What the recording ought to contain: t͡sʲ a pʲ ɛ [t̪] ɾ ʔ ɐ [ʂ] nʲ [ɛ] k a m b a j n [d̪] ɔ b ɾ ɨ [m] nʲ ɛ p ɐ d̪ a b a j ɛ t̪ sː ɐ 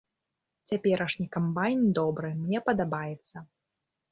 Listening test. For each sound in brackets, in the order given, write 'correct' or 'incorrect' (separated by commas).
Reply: incorrect, correct, incorrect, correct, correct